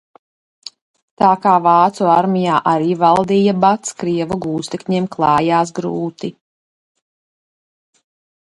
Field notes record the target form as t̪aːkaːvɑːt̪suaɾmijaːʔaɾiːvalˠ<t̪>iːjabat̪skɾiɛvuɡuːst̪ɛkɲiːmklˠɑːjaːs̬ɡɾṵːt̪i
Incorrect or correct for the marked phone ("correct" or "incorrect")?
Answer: incorrect